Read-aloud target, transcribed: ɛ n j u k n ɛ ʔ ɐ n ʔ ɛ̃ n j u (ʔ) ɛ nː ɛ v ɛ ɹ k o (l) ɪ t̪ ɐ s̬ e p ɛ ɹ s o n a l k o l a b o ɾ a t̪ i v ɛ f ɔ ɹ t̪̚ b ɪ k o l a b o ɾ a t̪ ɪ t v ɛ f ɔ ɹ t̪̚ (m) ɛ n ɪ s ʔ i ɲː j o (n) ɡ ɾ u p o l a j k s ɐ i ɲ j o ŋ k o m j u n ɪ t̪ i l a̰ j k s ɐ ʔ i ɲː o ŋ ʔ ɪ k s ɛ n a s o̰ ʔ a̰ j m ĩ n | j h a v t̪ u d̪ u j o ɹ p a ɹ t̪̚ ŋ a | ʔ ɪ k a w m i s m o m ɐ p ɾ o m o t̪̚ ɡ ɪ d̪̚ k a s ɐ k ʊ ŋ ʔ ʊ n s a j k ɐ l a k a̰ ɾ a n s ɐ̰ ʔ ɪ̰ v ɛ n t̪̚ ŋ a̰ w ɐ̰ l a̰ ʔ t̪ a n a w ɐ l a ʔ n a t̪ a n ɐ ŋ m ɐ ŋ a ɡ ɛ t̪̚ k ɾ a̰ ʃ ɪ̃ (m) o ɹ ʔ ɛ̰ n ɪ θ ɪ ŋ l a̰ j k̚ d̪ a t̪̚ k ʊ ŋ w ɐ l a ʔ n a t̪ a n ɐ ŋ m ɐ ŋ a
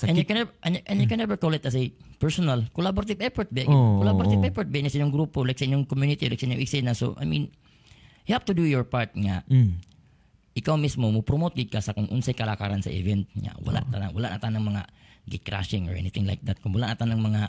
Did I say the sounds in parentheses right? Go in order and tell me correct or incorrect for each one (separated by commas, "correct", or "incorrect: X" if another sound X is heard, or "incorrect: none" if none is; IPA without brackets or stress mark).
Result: incorrect: k, correct, incorrect: b, incorrect: ŋ, incorrect: ŋ